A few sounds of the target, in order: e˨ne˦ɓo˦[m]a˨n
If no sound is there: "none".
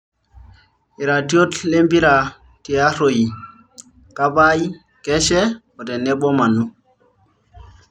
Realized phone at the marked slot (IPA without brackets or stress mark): m